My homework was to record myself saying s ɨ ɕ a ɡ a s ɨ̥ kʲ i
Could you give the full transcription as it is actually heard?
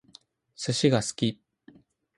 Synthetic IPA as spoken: s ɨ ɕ i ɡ a s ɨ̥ kʲ i